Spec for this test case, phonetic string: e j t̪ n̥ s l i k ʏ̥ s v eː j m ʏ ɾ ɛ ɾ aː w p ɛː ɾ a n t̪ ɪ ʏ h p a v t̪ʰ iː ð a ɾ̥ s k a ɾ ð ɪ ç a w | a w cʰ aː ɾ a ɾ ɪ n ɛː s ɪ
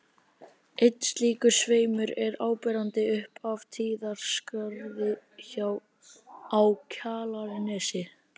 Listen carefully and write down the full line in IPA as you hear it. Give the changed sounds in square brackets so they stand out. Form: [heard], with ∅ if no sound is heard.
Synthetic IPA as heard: e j t̪ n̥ s l [iː] k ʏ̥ s v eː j m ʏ ɾ ɛ ɾ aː w p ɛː ɾ a n t̪ ɪ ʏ h p a v t̪ʰ iː ð a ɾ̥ s k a ɾ ð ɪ ç a w | a w cʰ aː [l] a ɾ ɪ n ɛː s ɪ

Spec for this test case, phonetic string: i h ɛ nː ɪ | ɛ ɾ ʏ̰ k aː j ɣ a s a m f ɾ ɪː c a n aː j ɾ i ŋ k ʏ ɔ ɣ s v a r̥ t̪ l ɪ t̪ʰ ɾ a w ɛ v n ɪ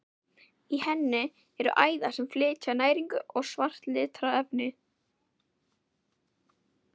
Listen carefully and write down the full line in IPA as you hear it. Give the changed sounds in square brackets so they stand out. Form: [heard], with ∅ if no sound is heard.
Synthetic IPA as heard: i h ɛ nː ɪ | ɛ ɾ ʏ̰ [ʔ] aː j [ð] a s [ɛ] m f [l] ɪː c a n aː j ɾ i ŋ k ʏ ɔ ɣ s v a r̥ t̪ l ɪ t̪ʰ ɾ a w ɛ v n ɪ

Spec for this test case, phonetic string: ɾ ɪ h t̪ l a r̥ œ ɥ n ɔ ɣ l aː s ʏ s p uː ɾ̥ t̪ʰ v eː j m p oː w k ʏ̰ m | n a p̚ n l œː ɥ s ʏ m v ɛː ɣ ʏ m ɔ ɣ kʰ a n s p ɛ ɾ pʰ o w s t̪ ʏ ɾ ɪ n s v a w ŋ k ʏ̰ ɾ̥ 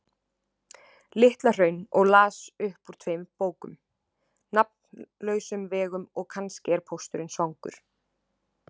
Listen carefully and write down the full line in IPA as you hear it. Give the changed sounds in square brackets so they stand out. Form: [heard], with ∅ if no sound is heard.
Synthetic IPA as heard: [l] ɪ h t̪ l a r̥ œ ɥ n ɔ ɣ l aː s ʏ [h] p [u] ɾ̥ t̪ʰ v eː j m p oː w k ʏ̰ m | n a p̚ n l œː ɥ s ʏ m v ɛː ɣ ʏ m ɔ ɣ kʰ a n s [c] ɛ ɾ pʰ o w s t̪ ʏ ɾ ɪ n s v a w ŋ k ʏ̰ ɾ̥

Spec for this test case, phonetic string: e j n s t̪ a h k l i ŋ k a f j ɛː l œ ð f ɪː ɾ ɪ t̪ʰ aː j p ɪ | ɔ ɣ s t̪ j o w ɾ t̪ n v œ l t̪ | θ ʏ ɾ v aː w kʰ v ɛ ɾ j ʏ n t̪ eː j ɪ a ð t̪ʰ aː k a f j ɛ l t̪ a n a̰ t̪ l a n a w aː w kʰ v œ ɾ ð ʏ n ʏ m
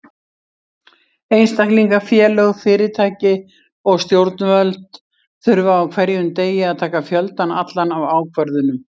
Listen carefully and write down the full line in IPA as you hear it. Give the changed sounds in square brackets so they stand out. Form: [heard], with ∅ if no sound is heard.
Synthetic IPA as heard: e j n s t̪ a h k l i ŋ k a f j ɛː l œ [ɣ] f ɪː ɾ ɪ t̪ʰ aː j [c] ɪ | ɔ ɣ s t̪ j o w ɾ t̪ n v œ l t̪ | θ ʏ ɾ v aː w kʰ v ɛ ɾ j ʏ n t̪ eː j ɪ a ð t̪ʰ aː k a f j [œ] l t̪ a n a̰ t̪ l a n a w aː w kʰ v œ ɾ ð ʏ n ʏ m

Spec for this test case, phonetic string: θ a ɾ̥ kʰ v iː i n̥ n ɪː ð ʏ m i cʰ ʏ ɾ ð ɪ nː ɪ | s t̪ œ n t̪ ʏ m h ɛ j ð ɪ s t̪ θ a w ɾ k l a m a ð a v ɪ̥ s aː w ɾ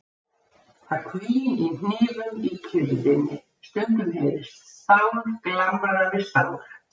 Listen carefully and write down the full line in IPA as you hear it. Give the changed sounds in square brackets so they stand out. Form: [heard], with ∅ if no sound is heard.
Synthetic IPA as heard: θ a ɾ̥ kʰ v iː i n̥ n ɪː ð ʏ m i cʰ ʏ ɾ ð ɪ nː ɪ | s t̪ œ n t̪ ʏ m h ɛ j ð ɪ s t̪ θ a w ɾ k l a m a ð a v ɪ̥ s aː w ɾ

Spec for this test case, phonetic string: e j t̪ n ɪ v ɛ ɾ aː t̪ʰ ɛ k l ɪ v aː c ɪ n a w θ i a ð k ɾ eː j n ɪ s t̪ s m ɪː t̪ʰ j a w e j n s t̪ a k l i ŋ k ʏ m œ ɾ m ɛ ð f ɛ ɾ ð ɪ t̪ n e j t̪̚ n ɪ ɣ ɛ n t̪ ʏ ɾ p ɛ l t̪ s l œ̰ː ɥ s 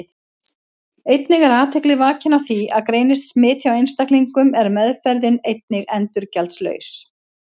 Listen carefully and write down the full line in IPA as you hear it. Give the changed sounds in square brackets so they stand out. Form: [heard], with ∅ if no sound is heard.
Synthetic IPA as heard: e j t̪ n ɪ [ɣ] ɛ ɾ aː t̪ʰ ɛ k l ɪ v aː c ɪ n a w θ i a ð k ɾ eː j n ɪ s t̪ s m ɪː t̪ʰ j a w e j n s t̪ a k l i ŋ k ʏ m [ɛ] ɾ m ɛ ð f ɛ ɾ ð ɪ [∅] n e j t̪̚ n ɪ ɣ ɛ n t̪ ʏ ɾ [c] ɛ l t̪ s l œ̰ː ɥ s

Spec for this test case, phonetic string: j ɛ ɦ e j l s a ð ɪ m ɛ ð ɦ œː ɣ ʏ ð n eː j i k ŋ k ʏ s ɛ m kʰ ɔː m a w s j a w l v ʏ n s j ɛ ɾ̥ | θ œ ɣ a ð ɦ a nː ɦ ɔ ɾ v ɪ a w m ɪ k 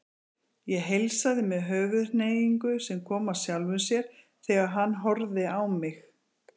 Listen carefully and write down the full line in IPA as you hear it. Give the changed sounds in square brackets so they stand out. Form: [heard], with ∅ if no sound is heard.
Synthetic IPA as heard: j ɛ ɦ e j l s a ð ɪ m ɛ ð ɦ œː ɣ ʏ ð n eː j i [∅] ŋ k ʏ s ɛ m kʰ ɔː m a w s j a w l v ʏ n s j ɛ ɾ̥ | θ [ɛ] ɣ a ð ɦ a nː ɦ ɔ ɾ [ð] ɪ a w m ɪ [x]

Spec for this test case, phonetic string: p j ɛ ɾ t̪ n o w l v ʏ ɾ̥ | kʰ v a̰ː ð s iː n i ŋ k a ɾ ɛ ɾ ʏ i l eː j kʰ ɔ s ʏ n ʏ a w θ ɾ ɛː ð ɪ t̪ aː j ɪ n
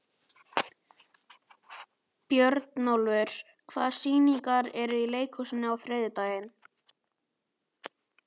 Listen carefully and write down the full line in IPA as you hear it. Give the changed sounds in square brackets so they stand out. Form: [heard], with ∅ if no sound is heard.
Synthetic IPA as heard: p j [œ] ɾ t̪ n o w l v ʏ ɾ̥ | kʰ v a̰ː ð s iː n i ŋ k a ɾ ɛ ɾ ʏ i l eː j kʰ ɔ s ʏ n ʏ a w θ ɾ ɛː ð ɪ t̪ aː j ɪ n

